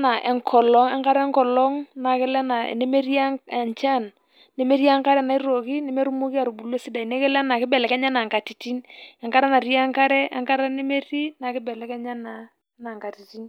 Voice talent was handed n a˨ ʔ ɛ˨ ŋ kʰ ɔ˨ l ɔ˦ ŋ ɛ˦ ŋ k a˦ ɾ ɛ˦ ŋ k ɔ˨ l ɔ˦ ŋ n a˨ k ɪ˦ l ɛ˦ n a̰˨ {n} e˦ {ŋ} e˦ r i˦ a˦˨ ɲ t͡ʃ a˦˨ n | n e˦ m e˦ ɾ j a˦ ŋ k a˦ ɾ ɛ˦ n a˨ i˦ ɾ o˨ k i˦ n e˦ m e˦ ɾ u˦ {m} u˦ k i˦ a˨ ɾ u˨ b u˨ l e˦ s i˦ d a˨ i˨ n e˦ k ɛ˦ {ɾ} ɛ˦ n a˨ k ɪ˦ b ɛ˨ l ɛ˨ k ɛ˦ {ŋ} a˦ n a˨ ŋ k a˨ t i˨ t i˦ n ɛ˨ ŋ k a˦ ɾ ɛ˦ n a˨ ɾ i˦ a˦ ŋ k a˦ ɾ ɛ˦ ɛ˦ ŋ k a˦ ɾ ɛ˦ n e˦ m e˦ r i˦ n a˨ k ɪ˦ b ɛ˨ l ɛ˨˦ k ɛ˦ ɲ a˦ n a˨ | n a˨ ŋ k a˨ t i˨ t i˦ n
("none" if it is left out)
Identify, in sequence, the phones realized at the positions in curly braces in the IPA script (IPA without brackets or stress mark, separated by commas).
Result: n, m, m, l, ɲ